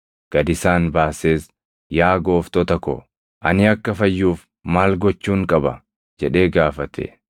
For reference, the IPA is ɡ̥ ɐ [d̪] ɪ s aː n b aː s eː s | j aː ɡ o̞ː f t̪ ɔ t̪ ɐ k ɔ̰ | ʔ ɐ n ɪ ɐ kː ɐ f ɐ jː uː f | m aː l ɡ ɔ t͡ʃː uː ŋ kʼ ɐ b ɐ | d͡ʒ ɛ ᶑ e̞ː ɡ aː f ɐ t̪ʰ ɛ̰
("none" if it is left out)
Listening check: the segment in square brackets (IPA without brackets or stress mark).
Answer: d̪